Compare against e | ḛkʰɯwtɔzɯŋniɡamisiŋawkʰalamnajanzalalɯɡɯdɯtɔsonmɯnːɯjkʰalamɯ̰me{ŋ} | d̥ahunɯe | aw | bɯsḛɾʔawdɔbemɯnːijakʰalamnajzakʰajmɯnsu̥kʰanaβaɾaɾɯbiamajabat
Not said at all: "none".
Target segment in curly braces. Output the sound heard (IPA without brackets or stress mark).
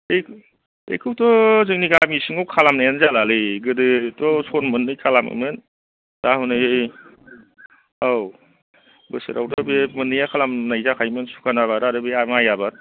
n